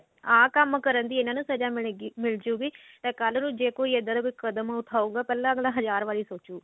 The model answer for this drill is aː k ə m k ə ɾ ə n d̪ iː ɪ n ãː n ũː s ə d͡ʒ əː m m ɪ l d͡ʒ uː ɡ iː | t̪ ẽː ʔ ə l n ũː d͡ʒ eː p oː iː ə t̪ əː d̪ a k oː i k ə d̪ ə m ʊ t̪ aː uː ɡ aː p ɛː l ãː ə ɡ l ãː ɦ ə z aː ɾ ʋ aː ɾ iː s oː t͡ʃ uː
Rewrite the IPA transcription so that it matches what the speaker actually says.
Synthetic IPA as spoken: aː k ə m k ə ɾ ə n d̪ iː ɪ n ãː n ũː s ə d͡ʒ aː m m ɪ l d͡ʒ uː ɡ iː | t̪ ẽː k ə l n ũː d͡ʒ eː k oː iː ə d̪ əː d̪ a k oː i k ə d̪ ə m ʊ t̪ʰ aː uː ɡ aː p ɛː l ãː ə ɡ l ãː ɦ ə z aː ɾ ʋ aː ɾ iː s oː t͡ʃ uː